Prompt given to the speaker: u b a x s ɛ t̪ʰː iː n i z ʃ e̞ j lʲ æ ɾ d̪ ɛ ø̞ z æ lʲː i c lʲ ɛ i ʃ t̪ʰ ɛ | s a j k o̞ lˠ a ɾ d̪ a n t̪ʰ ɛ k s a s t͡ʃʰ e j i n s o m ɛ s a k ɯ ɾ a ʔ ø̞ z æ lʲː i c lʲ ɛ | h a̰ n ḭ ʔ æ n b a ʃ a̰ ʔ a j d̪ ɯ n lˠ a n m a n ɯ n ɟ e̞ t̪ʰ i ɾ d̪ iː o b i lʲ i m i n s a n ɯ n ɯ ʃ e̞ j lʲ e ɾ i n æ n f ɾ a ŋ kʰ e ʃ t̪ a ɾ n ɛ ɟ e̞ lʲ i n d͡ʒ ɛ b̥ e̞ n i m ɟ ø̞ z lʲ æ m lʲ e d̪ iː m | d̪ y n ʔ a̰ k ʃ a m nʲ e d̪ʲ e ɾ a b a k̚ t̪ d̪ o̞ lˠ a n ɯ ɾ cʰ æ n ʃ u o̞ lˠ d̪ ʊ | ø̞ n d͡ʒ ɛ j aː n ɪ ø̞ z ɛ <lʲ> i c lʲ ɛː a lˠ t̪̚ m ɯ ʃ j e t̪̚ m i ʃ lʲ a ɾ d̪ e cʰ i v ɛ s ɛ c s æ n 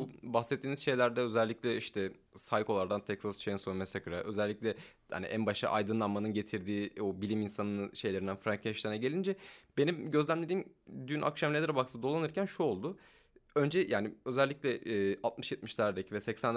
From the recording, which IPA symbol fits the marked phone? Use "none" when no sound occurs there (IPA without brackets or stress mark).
lʲː